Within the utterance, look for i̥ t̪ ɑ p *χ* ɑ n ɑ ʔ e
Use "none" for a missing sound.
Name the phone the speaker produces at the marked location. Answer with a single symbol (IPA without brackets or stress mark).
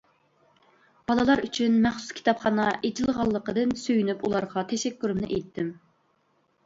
χ